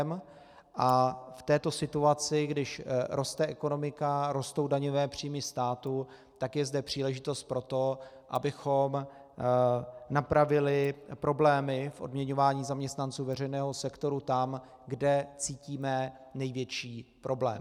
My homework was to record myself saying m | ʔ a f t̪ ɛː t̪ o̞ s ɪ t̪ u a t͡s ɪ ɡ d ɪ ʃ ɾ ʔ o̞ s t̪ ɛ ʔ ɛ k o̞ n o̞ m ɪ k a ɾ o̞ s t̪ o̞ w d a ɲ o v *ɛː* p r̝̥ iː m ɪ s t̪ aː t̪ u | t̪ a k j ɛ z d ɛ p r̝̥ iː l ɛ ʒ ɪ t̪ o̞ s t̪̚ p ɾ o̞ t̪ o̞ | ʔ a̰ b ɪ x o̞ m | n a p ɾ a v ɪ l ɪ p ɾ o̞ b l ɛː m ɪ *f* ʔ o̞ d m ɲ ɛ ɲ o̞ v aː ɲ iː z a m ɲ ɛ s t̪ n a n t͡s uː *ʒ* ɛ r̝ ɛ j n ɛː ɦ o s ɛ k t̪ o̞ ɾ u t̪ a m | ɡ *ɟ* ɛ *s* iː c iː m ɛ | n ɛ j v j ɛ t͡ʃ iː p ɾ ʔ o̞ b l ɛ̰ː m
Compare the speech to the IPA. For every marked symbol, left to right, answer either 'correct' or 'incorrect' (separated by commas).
correct, correct, incorrect, incorrect, incorrect